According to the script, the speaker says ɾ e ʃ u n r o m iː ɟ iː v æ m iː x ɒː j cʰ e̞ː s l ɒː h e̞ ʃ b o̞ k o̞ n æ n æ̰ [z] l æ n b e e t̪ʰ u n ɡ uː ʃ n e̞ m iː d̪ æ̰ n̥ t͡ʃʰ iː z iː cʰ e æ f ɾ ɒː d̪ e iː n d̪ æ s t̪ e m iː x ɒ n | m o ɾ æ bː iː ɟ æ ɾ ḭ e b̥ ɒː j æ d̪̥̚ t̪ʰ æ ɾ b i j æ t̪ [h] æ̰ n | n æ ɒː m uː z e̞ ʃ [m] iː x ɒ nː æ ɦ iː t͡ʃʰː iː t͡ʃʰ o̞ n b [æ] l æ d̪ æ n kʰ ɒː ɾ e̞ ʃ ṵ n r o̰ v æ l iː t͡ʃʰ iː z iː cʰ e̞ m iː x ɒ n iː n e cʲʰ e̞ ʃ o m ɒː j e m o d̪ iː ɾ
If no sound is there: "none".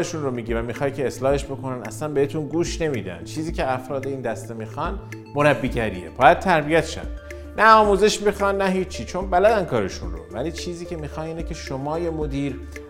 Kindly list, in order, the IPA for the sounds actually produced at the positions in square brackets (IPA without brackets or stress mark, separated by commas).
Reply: s, ʃ, m, æ